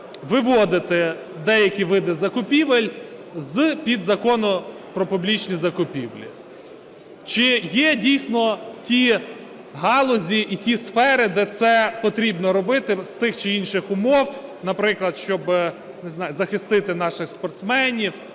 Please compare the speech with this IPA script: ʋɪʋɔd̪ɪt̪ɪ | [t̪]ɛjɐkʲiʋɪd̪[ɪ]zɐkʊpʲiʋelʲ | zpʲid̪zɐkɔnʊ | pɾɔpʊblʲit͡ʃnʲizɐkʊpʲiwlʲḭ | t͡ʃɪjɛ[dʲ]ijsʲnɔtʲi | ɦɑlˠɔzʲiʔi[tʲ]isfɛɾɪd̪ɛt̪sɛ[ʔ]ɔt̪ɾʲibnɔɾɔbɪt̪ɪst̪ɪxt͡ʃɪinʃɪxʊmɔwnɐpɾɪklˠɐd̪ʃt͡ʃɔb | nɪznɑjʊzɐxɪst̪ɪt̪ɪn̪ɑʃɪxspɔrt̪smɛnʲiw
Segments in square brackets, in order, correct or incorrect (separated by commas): incorrect, correct, correct, correct, incorrect